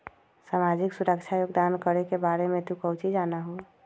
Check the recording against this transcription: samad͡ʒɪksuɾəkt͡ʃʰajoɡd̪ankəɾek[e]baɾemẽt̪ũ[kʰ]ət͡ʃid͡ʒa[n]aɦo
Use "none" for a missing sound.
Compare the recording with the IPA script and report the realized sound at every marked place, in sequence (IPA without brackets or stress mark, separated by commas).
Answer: e, k, n